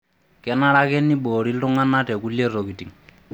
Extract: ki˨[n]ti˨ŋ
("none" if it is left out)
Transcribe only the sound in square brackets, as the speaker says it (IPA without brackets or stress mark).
none